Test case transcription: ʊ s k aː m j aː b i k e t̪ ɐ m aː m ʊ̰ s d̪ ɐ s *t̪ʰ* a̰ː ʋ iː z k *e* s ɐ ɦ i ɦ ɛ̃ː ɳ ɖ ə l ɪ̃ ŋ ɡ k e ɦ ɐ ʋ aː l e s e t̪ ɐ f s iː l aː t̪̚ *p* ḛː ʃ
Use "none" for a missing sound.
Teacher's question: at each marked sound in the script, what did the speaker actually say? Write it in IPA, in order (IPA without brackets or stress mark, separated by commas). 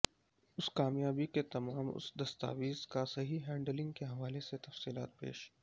t̪, a, p